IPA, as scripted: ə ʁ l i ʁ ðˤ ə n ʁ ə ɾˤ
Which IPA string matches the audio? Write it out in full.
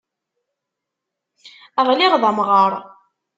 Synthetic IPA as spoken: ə ʁ l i ʁ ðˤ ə m ʁ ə ɾˤ